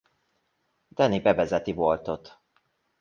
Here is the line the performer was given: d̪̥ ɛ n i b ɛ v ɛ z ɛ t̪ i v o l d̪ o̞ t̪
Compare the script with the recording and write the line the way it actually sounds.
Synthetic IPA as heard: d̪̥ ɛ n i b ɛ v ɛ z ɛ t̪ i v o l t̪ o̞ t̪